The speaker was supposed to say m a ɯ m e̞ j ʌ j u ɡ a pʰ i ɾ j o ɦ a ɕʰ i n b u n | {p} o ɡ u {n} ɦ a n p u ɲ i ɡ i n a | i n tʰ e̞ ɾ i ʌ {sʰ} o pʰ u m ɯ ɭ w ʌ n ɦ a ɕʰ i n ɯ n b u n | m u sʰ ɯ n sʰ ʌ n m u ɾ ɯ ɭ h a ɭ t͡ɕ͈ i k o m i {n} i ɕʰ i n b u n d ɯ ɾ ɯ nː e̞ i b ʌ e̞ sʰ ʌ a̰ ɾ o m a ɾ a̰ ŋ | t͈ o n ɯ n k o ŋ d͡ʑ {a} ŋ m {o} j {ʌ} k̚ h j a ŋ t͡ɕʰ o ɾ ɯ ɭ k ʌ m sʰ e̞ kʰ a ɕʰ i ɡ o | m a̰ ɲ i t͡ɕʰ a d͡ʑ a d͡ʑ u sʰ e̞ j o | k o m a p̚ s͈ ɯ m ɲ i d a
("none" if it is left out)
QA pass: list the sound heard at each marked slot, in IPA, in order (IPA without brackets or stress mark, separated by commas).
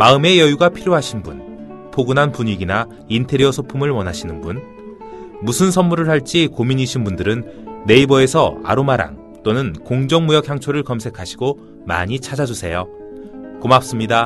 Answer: pʰ, n, sʰ, ɲ, ʌ, u, ʌ